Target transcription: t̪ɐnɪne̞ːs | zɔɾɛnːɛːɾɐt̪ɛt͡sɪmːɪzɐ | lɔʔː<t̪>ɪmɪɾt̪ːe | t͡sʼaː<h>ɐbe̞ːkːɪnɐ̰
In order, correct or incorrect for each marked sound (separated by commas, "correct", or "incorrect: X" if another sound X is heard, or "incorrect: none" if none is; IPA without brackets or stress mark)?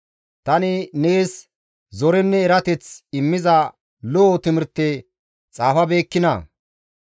correct, incorrect: f